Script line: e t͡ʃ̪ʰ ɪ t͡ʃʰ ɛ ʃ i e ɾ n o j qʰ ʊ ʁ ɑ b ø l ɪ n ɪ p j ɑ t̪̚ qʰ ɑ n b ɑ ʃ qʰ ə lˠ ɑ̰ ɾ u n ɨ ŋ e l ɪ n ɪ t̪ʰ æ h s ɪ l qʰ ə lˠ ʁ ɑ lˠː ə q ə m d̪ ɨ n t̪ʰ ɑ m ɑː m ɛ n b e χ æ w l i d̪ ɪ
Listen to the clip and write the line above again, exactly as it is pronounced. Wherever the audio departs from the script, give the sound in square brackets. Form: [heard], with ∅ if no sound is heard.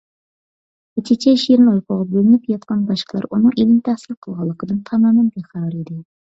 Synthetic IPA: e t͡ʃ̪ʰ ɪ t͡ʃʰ ɛ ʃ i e ɾ n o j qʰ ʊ ʁ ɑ b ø l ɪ n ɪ p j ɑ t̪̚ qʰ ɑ n b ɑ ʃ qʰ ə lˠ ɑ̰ ɾ u n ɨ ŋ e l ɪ n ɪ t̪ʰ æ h s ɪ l qʰ ə lˠ ʁ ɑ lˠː ə q ə [∅] d̪ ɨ n t̪ʰ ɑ m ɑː m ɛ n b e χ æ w [ɾ] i d̪ ɪ